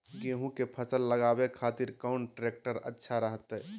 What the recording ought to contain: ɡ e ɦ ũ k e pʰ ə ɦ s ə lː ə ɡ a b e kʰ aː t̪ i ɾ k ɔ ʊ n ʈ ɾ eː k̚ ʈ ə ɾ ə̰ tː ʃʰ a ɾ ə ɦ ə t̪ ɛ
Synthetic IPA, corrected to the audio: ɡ e ɦ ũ k e pʰ ə s ə lː ə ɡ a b e kʰ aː t̪ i ɾ k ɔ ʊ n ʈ ɾ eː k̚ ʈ ə ɾ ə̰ tː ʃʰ a ɾ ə ɦ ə t̪ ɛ